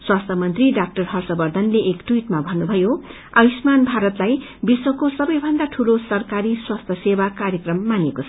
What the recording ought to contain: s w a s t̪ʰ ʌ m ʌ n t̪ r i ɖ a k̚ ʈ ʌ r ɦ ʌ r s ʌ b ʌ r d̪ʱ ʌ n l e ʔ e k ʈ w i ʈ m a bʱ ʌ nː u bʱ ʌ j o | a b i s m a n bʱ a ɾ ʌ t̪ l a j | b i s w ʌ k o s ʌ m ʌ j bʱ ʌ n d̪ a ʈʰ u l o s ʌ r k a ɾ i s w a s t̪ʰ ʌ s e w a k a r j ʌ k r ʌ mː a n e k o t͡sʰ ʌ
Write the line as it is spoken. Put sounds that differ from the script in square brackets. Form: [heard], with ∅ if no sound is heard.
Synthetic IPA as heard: s w a s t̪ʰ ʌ m ʌ n t̪ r i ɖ a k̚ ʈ ʌ r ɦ ʌ r s ʌ b ʌ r d̪ʱ ʌ n l e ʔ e k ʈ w i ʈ m a bʱ ʌ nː u bʱ ʌ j o | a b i s m a n bʱ a ɾ ʌ t̪ l a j | b i s w ʌ k o s ʌ [b] ʌ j bʱ ʌ n d̪ a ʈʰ u l o s ʌ r k a ɾ i s w a s t̪ʰ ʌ s e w a k a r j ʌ k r ʌ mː a n e k o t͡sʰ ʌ

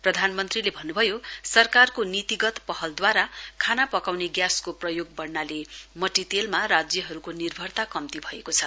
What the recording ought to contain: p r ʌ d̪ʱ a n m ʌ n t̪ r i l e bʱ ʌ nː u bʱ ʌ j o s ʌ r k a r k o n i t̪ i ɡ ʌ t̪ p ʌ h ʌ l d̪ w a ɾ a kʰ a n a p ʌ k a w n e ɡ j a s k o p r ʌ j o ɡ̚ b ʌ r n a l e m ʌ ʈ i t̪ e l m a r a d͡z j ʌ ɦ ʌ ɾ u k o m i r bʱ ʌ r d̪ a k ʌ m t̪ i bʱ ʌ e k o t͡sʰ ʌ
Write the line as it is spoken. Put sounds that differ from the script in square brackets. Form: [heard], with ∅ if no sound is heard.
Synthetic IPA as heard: p r ʌ d̪ʱ a n m ʌ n t̪ r i l e bʱ ʌ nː u bʱ ʌ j o s ʌ r k a r k o n i t̪ i ɡ ʌ t̪ p ʌ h ʌ l d̪ w a ɾ a kʰ a n a p ʌ k a w n e ɡ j a s k o p r ʌ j o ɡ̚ b ʌ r n a l e m ʌ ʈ i t̪ e l m a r a d͡z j ʌ ɦ ʌ ɾ u k o [n] i r bʱ ʌ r [t̪] a k ʌ m t̪ i bʱ ʌ e k o t͡sʰ ʌ

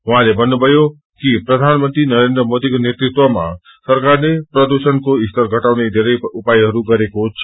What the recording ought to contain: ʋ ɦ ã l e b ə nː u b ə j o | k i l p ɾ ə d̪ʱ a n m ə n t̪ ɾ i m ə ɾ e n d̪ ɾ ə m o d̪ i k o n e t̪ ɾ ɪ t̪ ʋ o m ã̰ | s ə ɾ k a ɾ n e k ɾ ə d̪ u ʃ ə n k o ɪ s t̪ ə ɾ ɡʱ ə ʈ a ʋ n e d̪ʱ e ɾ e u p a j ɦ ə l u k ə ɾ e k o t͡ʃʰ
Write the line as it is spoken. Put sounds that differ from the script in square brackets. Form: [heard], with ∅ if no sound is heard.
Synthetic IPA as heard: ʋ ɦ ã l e b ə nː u b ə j o | k i [∅] p ɾ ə d̪ʱ a n m ə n t̪ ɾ i [n] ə ɾ e n d̪ ɾ ə m o d̪ i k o n e t̪ ɾ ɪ t̪ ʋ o m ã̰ | s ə ɾ k a ɾ n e [p] ɾ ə d̪ u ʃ ə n k o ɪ s t̪ ə ɾ ɡʱ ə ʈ a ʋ n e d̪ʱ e ɾ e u p a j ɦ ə [ɾ] u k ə ɾ e k o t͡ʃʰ

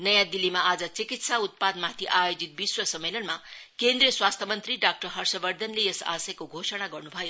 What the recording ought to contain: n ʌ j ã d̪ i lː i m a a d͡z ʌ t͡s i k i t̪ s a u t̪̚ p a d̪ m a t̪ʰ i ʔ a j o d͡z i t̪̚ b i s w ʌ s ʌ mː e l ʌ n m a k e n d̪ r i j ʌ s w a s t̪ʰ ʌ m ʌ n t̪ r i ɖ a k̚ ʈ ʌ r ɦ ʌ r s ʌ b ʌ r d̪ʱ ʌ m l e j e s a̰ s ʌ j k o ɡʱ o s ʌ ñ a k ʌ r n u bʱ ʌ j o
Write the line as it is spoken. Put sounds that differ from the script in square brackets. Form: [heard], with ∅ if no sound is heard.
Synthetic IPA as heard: n ʌ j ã d̪ i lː i m a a d͡z ʌ t͡s i k i t̪ s a u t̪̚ p a d̪ m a t̪ʰ i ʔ a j o d͡z i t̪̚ b i s w ʌ s ʌ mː e l ʌ n m a k e n d̪ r i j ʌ s w a s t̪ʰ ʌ m ʌ n t̪ r i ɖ a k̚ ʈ ʌ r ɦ ʌ r s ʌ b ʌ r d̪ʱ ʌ [n] l e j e s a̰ s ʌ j k o ɡʱ o s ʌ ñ a [ɡ] ʌ r n u bʱ ʌ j o

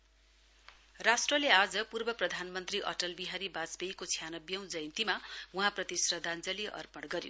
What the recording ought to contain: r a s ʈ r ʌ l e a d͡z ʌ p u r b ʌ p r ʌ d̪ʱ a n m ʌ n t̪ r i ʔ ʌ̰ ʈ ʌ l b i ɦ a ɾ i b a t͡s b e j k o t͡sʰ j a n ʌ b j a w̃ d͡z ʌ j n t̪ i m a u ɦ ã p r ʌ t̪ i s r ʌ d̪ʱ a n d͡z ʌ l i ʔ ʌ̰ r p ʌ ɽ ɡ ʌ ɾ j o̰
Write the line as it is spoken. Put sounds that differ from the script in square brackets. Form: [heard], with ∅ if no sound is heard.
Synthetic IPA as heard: r a s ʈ r ʌ l e a d͡z ʌ p u r b ʌ p r ʌ d̪ʱ a n m ʌ n t̪ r i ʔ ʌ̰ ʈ ʌ l b i ɦ a ɾ i b a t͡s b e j k o t͡sʰ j a n ʌ b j [ʌ] w̃ d͡z ʌ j n t̪ i m a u ɦ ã p r ʌ t̪ i s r ʌ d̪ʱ a n d͡z ʌ l i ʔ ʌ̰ r p ʌ ɽ ɡ ʌ ɾ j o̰

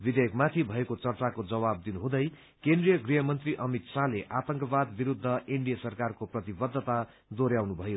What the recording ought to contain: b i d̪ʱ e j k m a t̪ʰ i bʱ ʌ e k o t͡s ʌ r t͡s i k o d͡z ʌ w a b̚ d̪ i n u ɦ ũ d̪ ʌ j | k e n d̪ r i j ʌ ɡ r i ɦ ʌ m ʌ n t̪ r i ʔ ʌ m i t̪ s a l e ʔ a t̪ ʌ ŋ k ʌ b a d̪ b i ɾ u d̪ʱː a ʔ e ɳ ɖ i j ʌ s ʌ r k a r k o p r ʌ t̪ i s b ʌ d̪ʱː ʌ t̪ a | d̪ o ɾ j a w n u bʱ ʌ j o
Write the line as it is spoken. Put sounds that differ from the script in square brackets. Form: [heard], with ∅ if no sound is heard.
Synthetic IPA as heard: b i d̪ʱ e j k m a t̪ʰ i bʱ ʌ e k o t͡s ʌ r t͡s [a] k o d͡z ʌ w a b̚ d̪ i n u ɦ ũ d̪ ʌ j | k e n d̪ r i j ʌ ɡ r i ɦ ʌ m ʌ n t̪ r i ʔ ʌ m i t̪ s a l e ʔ a t̪ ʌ ŋ k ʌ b a d̪ b i ɾ u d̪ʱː [ʌ] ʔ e ɳ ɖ i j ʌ s ʌ r k a r k o p r ʌ t̪ i [∅] b ʌ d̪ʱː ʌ t̪ a | d̪ o ɾ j a w n u bʱ ʌ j o

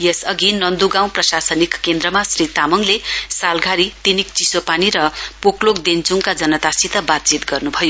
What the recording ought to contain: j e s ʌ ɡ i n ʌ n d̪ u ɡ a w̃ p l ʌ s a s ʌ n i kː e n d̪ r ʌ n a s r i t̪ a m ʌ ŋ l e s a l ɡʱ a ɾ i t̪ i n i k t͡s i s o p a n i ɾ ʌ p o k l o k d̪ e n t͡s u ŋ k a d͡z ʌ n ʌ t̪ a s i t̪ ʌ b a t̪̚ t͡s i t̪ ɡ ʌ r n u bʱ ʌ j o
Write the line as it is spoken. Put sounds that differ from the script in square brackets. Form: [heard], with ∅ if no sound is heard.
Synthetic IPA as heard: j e s ʌ ɡ i n ʌ n d̪ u ɡ a w̃ p [r] ʌ s a s ʌ n i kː e n d̪ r ʌ [m] a s r i t̪ a m ʌ ŋ l e s a l ɡʱ a ɾ i t̪ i n i k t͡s i s o p a n i ɾ ʌ p o k l o k d̪ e n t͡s u ŋ k a d͡z ʌ n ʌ t̪ a s i t̪ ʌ b a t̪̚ t͡s i t̪ ɡ ʌ r n u bʱ ʌ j o

